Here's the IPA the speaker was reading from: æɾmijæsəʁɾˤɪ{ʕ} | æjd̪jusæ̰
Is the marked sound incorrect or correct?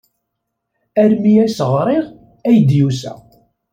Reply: incorrect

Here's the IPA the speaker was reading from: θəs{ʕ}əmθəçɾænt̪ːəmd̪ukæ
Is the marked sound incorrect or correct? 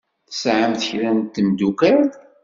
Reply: correct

